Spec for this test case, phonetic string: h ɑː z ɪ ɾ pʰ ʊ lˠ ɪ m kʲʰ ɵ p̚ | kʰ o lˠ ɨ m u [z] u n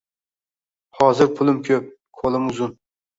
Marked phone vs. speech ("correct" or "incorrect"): correct